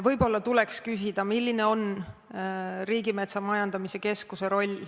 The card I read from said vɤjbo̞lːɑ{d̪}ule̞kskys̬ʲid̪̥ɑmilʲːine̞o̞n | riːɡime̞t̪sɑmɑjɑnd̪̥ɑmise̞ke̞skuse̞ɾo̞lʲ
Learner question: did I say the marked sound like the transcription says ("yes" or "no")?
no